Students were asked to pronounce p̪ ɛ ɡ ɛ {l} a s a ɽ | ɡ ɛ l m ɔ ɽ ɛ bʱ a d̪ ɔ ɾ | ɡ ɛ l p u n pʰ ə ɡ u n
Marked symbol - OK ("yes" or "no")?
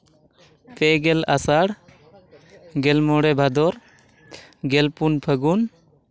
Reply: yes